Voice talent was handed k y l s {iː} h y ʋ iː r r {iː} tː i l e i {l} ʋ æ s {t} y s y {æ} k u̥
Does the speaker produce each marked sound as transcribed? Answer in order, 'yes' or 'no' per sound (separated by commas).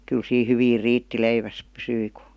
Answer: yes, yes, no, no, no